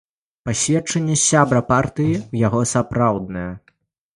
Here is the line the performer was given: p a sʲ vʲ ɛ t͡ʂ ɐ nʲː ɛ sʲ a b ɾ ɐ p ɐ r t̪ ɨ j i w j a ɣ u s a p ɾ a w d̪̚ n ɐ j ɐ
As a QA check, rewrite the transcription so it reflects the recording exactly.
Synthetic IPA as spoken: p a sʲ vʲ ɛ t͡ʂ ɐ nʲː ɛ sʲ a b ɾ ɐ p a r t̪ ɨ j i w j a ɣ ɔ s a p ɾ a w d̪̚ n ɐ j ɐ

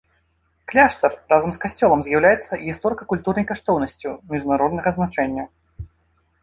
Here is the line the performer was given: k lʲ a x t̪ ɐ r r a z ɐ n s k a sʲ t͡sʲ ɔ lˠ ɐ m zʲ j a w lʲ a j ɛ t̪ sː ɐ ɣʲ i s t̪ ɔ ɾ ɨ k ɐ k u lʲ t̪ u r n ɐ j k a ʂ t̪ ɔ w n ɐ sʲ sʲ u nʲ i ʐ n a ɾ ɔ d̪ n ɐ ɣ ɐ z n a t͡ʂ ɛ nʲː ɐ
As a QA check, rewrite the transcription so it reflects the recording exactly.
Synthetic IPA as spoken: k lʲ a ʂ t̪ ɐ r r a z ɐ m s k a sʲ t͡sʲ ɔ lˠ ɐ m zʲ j a w lʲ a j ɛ t̪ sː ɐ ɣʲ i s t̪ ɔ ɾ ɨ k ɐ k u lʲ t̪ u r n ɐ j k a ʂ t̪ ɔ w n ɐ sʲ t͡sʲ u mʲ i ʐ n a ɾ ɔ d̪ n ɐ ɣ ɐ z n a t͡ʂ ɛ nʲː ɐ

